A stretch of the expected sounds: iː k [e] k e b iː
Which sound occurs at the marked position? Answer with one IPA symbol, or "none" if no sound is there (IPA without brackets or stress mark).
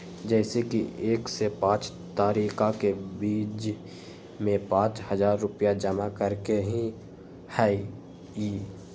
a